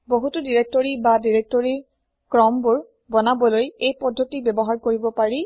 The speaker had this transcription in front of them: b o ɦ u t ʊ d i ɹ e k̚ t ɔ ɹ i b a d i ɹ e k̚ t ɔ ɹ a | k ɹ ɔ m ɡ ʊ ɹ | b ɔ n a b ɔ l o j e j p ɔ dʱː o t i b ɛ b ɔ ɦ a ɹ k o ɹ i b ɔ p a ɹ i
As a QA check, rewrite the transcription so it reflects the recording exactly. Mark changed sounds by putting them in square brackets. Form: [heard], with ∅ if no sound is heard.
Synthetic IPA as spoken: b o ɦ u t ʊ d i ɹ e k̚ t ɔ ɹ i b a d i ɹ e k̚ t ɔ ɹ [i] | k ɹ ɔ m [b] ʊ ɹ | b ɔ n a b ɔ l o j e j p ɔ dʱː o t i b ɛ b ɔ ɦ a ɹ k o ɹ i b ɔ p a ɹ i